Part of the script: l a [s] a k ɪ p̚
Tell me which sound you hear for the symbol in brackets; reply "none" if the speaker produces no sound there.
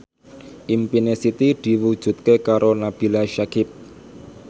ʃ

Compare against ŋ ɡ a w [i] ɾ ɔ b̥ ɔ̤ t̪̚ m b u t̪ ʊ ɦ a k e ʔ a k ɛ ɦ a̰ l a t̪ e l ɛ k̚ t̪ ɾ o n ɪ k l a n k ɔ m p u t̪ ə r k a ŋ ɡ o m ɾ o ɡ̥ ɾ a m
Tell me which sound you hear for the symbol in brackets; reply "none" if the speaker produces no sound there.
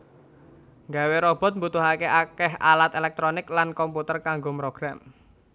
e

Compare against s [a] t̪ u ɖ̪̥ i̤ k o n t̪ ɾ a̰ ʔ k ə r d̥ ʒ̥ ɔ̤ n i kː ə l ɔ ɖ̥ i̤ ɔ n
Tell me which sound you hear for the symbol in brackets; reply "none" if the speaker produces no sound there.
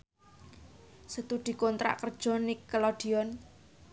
ə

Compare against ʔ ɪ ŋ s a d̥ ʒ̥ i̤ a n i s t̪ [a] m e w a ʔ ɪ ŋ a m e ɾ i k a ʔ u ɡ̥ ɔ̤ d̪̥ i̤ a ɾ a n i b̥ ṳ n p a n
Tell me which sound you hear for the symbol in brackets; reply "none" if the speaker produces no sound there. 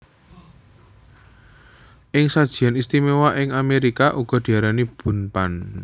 i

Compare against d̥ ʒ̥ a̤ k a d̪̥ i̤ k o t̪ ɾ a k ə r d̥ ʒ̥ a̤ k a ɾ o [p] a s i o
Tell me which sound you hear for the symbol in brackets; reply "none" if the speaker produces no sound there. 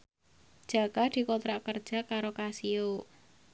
k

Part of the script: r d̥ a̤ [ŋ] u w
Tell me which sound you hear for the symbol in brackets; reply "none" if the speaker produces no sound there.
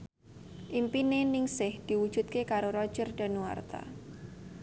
n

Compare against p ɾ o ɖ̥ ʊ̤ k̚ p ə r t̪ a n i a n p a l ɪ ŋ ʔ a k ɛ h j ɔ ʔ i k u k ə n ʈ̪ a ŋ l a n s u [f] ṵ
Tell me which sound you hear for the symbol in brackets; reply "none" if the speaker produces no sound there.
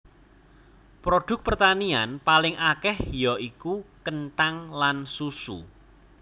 s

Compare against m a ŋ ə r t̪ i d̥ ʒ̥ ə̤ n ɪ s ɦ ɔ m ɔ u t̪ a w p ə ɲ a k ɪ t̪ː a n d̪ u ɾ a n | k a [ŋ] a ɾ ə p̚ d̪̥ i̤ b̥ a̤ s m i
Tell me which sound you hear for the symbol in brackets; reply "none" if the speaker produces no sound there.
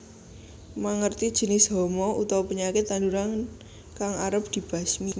ŋ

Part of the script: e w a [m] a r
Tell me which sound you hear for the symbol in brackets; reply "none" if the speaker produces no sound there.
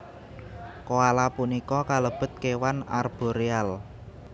n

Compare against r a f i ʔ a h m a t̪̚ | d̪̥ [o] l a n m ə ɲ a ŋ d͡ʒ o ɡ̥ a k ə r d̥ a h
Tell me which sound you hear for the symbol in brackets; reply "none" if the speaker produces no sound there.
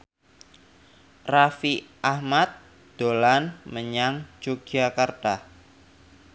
o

